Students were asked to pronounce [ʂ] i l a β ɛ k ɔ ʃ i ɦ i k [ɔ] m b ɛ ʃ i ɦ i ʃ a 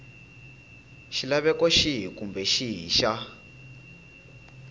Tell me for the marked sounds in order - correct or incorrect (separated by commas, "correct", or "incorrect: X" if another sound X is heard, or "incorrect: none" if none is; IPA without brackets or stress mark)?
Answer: incorrect: ʃ, incorrect: u